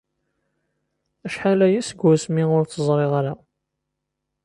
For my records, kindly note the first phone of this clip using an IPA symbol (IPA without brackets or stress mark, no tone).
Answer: æ